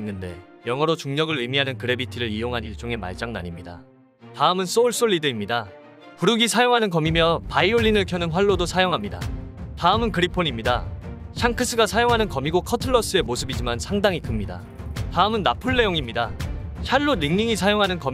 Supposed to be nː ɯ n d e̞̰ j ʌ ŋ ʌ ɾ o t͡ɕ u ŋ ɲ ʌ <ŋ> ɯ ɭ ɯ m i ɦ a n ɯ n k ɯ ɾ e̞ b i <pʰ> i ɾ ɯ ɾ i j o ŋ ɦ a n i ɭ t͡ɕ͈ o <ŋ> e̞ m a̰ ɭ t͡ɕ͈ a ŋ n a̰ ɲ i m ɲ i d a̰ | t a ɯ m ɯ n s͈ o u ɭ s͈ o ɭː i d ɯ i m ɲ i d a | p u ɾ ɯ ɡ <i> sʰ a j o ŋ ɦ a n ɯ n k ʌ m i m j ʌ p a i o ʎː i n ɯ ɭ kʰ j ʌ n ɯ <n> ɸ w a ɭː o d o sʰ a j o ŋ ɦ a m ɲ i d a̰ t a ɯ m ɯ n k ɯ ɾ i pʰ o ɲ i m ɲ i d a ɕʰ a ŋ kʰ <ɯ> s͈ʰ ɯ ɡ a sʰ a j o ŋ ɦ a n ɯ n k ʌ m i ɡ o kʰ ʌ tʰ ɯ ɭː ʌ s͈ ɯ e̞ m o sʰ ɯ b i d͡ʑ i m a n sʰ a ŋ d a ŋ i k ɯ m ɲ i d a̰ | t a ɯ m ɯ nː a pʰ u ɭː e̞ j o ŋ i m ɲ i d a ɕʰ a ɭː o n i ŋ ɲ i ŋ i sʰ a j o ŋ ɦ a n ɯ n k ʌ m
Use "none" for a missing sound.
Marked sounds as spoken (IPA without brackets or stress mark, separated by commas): ɡ, tʰ, ŋ, i, n, ɯ